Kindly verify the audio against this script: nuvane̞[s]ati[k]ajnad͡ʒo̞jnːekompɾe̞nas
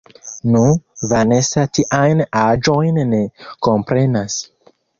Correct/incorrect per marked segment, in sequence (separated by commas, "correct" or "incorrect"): correct, incorrect